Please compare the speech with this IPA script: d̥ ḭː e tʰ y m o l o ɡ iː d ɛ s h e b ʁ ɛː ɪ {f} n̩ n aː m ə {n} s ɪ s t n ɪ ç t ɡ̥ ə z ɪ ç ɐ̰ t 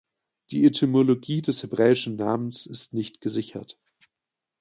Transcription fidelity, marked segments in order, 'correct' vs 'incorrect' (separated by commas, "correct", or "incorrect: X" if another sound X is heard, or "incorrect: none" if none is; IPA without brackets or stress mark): incorrect: ʃ, correct